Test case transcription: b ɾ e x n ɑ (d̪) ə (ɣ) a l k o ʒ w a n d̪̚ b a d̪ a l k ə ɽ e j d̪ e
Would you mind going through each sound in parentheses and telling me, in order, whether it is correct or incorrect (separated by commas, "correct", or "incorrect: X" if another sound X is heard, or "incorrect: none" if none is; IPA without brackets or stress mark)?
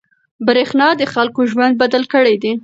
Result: correct, incorrect: x